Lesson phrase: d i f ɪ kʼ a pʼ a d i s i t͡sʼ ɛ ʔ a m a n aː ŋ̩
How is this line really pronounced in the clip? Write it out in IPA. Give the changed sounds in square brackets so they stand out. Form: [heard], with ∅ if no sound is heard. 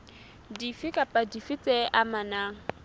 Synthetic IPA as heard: d i f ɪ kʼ a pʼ a d i [f] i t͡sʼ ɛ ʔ a m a n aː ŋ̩